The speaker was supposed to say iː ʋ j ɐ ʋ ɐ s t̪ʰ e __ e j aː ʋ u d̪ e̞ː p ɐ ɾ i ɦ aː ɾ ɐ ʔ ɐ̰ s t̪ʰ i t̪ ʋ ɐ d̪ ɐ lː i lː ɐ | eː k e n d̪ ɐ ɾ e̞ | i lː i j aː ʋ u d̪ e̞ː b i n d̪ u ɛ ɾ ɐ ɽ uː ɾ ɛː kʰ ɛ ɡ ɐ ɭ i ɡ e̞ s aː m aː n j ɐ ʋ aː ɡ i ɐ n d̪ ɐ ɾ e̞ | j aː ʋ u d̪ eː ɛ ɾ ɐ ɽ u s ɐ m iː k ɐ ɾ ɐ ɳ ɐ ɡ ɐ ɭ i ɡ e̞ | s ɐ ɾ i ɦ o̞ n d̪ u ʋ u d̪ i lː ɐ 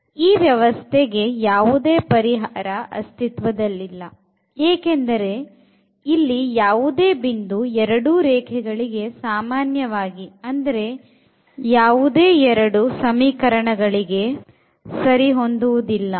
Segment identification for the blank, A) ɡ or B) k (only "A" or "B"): A